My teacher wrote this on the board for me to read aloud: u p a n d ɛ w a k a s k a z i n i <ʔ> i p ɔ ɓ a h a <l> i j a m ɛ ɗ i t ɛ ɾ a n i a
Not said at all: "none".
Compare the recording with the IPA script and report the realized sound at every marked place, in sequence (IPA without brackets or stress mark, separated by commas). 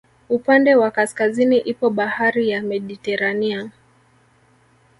ʔ, ɾ